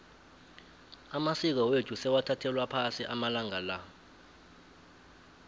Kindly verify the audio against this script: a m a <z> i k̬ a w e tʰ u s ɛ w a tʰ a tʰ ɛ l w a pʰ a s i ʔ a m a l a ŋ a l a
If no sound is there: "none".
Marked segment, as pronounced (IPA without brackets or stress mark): s